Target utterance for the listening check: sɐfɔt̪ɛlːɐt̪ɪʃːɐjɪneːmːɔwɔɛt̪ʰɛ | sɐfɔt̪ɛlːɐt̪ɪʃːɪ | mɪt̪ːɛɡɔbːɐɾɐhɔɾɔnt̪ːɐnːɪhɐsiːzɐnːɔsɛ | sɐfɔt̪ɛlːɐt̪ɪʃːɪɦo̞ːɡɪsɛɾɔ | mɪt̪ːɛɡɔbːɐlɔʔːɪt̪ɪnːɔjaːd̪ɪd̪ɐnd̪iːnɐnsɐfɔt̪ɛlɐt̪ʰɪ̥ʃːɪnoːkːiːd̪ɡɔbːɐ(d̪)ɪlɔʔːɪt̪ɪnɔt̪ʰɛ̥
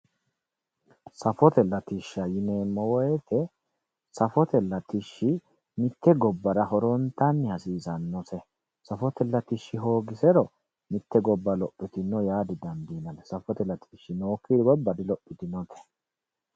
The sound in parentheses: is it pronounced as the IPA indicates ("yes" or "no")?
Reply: yes